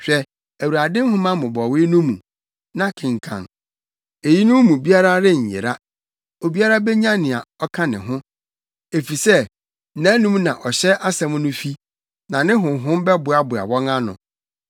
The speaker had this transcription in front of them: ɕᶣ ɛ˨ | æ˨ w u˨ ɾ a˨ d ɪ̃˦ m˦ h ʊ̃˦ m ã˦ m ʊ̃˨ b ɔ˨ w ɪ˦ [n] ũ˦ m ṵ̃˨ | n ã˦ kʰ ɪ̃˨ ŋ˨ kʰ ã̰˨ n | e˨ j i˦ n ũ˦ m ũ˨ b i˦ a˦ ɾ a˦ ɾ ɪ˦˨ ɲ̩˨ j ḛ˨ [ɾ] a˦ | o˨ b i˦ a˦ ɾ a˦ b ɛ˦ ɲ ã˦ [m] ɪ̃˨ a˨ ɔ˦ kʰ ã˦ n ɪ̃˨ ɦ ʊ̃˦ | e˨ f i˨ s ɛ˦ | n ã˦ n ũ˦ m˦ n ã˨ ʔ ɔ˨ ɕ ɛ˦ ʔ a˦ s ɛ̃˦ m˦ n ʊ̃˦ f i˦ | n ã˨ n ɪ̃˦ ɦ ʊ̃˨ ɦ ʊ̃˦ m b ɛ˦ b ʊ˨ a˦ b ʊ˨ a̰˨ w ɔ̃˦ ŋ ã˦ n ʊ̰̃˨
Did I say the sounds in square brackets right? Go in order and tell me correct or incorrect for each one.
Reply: correct, correct, incorrect: n

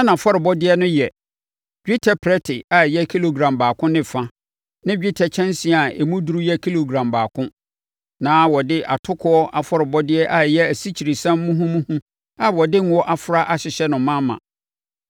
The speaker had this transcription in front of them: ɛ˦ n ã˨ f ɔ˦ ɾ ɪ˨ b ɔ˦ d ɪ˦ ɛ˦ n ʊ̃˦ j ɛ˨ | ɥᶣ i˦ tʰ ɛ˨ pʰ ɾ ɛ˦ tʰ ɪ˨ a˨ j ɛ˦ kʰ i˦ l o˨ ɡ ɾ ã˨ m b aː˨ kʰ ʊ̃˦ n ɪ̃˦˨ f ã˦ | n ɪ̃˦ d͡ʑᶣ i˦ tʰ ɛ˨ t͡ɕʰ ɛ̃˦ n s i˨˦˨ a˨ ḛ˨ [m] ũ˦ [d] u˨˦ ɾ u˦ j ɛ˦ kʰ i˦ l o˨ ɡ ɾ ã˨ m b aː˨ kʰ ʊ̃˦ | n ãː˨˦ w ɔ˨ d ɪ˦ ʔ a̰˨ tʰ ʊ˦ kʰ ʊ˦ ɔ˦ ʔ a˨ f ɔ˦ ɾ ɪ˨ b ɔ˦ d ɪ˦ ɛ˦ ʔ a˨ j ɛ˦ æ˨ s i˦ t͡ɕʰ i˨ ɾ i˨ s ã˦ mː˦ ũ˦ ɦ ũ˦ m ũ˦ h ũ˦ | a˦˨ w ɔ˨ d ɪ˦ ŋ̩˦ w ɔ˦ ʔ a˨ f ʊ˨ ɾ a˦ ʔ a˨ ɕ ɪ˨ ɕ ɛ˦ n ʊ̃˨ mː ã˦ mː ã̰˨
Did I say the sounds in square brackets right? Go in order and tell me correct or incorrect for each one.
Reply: correct, correct

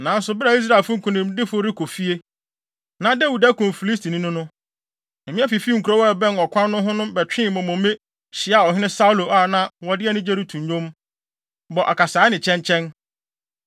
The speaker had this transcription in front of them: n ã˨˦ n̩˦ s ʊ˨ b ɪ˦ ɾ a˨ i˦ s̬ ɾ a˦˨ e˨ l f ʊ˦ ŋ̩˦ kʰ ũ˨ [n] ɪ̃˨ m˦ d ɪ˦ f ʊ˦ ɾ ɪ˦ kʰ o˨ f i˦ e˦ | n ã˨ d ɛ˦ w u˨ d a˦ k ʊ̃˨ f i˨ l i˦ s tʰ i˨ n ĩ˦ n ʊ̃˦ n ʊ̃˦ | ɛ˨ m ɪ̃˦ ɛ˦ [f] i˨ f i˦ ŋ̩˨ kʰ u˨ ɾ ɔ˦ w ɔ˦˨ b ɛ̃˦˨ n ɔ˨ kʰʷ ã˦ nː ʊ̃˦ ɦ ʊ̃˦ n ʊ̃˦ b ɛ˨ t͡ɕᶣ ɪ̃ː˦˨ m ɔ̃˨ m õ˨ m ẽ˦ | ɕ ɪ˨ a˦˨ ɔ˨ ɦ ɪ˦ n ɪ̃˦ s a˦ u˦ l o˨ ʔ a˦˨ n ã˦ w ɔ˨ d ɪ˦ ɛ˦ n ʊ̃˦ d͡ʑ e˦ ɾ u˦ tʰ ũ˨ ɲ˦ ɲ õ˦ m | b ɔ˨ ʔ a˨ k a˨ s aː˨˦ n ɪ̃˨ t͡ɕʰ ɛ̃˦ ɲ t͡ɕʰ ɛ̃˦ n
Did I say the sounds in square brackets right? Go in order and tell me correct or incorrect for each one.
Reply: correct, correct

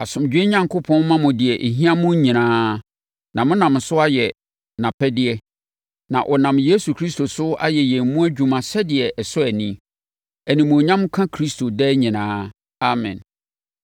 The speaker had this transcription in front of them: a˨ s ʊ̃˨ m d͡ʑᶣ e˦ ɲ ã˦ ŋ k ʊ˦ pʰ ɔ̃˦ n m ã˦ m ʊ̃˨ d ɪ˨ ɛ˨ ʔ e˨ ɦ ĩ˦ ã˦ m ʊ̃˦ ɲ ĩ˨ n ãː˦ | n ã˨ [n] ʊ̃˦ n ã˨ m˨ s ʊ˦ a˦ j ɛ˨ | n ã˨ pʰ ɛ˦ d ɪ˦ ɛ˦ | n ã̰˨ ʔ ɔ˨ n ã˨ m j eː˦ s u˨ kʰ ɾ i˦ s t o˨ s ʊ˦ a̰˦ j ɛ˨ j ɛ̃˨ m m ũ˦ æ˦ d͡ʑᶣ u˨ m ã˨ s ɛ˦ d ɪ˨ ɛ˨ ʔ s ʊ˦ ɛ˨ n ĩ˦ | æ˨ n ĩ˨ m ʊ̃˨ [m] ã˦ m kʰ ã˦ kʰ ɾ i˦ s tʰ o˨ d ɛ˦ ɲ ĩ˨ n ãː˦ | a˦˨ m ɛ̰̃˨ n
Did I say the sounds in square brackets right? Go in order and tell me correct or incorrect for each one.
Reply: incorrect: m, incorrect: ɲ

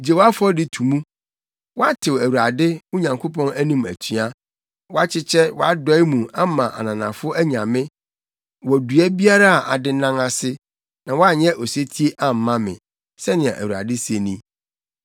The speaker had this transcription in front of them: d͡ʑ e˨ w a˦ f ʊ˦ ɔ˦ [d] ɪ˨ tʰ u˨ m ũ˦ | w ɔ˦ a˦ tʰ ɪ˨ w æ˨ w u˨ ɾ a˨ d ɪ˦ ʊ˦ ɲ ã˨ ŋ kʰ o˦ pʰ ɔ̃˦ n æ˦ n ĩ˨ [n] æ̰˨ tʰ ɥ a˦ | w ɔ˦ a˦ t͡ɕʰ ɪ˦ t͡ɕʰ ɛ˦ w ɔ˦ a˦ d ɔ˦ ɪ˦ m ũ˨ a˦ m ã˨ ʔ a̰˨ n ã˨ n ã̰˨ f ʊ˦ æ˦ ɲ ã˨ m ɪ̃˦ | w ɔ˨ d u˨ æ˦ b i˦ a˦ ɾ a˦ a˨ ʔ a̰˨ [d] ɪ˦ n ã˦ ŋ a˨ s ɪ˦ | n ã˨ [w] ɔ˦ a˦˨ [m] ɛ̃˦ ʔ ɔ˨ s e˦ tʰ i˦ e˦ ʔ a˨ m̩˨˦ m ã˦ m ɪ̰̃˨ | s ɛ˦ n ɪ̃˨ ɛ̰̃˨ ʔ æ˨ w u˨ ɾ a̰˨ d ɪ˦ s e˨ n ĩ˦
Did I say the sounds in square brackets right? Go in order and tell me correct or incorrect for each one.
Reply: correct, incorrect: m, correct, correct, incorrect: ɲ

